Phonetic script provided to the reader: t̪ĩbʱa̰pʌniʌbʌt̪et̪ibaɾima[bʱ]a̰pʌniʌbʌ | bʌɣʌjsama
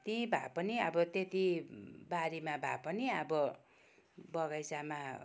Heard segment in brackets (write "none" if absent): bʱ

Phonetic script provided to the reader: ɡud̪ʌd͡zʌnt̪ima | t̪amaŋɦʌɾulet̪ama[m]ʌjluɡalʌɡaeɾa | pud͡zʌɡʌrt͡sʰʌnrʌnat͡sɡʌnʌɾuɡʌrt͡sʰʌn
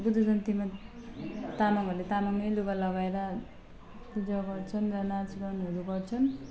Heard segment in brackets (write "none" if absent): ŋ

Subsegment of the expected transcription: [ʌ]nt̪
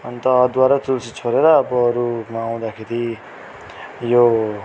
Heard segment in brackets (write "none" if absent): ʌ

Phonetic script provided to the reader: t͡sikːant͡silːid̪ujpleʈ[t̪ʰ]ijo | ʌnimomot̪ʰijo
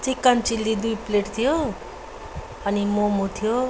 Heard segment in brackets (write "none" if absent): t̪ʰ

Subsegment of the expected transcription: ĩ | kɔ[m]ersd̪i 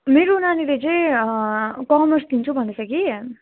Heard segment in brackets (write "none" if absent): m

